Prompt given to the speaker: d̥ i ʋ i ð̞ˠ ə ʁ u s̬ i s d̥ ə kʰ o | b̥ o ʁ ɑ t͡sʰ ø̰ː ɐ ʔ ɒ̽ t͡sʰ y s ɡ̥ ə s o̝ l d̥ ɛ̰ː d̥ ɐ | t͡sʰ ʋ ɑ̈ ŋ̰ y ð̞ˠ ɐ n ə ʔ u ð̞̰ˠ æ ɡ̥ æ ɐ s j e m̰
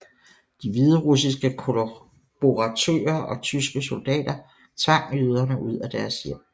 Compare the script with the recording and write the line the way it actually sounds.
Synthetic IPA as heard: d̥ i ʋ i ð̞ˠ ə ʁ u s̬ i s ɡ̥ ə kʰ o | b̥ o ʁ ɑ t͡sʰ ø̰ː ɐ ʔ ɒ̽ t͡sʰ y s ɡ̥ ə s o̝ l d̥ ɛ̰ː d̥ ɐ | t͡sʰ ʋ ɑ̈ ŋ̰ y ð̞ˠ ɐ n ə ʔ u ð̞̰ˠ æ d̥ æ ɐ s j e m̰